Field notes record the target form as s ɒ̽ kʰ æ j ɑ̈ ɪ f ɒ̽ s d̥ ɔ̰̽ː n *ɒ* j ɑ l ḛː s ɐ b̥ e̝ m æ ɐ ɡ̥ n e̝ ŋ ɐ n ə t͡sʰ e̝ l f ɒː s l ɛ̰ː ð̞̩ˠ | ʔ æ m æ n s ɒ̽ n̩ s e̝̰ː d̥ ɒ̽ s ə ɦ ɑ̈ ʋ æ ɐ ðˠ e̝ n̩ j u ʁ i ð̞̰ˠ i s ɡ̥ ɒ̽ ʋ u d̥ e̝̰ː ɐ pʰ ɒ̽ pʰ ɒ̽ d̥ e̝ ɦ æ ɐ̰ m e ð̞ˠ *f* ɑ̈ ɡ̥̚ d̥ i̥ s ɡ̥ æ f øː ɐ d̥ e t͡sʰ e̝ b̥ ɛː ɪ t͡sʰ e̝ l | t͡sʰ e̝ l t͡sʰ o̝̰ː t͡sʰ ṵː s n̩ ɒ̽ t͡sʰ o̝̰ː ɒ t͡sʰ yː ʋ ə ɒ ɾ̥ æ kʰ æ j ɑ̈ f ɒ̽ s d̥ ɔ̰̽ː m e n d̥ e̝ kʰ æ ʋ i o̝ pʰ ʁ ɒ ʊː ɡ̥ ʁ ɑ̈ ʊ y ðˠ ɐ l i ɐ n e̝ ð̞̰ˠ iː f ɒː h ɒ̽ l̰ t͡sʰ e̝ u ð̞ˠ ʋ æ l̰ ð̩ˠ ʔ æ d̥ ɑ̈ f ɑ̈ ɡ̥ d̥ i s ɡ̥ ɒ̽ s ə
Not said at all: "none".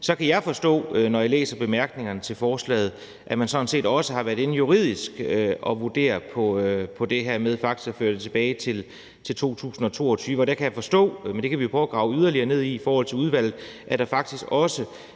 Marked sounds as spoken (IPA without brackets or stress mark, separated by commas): ɒ, f